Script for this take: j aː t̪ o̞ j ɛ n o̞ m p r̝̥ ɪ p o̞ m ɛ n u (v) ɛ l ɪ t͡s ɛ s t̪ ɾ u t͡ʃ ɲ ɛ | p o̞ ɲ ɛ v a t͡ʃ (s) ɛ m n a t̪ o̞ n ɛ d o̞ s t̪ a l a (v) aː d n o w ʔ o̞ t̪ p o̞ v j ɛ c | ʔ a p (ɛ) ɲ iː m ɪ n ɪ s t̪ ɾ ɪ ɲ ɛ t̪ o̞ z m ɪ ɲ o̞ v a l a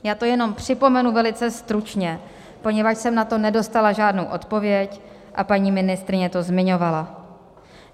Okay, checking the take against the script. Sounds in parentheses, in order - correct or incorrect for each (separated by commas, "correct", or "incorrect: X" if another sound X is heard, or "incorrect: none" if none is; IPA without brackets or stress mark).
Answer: correct, correct, incorrect: ʒ, incorrect: a